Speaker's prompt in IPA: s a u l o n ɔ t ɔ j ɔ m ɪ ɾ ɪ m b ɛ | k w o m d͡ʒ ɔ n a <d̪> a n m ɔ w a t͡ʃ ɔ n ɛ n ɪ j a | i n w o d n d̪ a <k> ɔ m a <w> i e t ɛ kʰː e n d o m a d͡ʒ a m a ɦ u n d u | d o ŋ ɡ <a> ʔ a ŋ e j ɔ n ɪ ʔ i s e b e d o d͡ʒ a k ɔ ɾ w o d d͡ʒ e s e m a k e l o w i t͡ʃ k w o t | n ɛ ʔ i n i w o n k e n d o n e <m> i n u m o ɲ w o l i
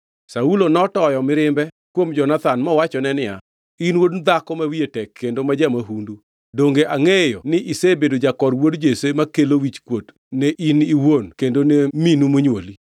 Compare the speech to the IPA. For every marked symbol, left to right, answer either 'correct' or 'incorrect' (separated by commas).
incorrect, correct, correct, incorrect, correct